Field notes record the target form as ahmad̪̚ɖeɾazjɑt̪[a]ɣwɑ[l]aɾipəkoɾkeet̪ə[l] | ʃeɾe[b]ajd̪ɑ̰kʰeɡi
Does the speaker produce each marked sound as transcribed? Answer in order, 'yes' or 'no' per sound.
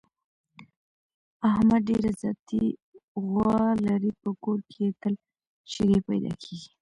no, yes, yes, no

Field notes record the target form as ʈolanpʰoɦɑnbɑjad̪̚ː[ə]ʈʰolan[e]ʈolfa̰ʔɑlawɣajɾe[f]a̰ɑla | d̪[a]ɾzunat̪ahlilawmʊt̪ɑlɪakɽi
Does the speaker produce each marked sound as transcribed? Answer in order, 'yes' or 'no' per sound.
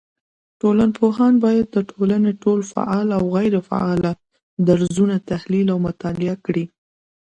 yes, yes, yes, yes

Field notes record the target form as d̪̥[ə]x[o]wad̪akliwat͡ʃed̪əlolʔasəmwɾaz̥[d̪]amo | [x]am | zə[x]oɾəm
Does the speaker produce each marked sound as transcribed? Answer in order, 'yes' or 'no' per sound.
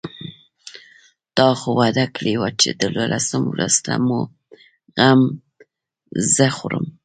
no, yes, no, no, yes

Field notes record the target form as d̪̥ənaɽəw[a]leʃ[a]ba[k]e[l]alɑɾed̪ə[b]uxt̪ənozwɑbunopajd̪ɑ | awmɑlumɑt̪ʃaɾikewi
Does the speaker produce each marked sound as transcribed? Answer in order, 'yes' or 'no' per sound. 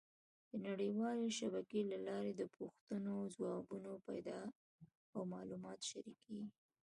no, yes, yes, yes, no

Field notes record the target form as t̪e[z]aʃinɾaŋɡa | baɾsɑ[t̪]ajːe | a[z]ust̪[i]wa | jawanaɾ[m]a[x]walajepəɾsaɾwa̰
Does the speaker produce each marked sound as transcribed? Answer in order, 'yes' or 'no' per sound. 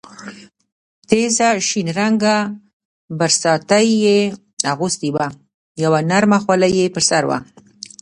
yes, yes, no, yes, yes, yes

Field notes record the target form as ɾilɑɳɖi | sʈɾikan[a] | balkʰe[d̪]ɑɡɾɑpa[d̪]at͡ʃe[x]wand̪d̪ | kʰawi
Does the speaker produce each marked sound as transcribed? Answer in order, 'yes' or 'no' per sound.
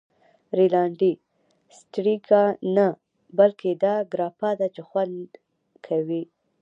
yes, yes, yes, yes

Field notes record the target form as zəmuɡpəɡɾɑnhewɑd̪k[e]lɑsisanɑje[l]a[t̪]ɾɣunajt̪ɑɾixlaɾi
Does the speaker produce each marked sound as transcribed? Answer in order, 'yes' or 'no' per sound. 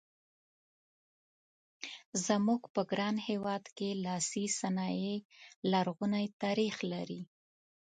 yes, yes, no

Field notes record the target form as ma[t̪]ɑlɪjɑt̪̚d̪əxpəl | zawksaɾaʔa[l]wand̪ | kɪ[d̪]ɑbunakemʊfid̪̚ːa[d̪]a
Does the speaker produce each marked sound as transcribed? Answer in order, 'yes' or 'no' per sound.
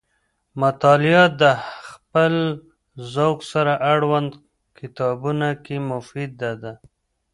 yes, no, no, yes

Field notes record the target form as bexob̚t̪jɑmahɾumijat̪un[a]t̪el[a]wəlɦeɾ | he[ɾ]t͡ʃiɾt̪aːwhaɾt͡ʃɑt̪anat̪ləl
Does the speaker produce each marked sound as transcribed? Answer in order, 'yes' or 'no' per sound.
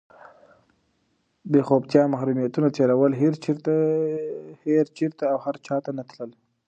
yes, yes, yes

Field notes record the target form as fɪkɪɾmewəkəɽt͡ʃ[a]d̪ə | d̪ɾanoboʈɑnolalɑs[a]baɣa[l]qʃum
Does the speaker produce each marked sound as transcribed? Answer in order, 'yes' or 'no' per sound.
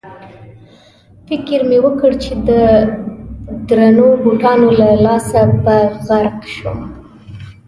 no, yes, no

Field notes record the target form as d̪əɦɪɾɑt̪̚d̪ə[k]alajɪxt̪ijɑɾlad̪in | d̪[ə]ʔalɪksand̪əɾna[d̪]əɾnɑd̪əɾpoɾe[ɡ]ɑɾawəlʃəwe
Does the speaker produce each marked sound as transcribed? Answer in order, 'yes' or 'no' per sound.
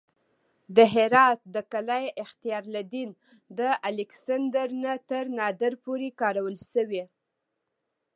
yes, yes, no, no

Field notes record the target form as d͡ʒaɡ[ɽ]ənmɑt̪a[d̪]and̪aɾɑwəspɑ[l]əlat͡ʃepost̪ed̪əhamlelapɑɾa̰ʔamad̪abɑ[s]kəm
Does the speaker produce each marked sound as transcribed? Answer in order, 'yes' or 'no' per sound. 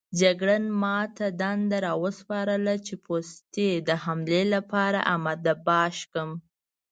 yes, yes, no, no

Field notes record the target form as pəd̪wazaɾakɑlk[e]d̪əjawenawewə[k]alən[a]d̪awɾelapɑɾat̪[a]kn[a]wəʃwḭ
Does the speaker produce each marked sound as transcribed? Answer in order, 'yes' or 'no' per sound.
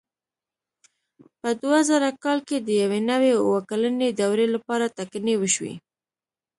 yes, yes, no, yes, no

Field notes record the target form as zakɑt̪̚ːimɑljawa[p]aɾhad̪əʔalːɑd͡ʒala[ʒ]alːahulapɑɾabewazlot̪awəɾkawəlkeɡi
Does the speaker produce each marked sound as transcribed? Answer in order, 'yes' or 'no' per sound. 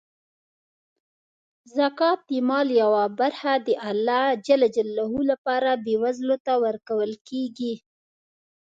no, no

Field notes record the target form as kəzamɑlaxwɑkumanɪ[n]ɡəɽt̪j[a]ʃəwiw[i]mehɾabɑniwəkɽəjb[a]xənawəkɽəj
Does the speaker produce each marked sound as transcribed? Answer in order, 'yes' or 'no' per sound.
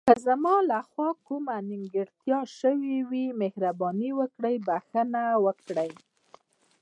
no, no, yes, yes

